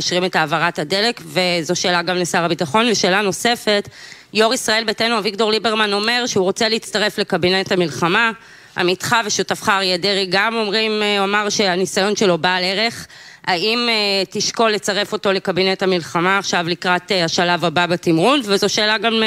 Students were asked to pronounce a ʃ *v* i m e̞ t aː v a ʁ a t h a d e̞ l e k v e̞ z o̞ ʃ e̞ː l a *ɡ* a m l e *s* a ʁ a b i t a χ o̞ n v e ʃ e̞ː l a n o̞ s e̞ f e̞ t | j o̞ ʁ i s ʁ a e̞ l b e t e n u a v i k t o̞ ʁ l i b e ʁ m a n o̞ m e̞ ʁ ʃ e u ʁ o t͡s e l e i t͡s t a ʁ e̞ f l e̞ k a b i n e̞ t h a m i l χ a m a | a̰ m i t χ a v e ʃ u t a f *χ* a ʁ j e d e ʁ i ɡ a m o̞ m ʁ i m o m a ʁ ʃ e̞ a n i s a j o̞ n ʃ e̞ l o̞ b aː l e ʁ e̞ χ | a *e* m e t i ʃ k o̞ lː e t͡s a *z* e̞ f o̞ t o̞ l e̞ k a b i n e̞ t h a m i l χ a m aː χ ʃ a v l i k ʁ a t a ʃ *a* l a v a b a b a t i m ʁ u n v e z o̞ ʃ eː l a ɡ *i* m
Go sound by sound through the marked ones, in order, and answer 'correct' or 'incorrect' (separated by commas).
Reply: incorrect, correct, correct, correct, incorrect, incorrect, correct, incorrect